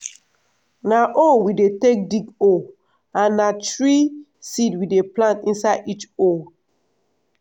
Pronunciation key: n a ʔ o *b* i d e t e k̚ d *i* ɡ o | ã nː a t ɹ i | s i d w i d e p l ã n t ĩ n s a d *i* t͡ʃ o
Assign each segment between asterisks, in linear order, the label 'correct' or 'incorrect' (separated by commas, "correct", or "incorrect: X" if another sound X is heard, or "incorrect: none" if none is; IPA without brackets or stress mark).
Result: incorrect: w, correct, correct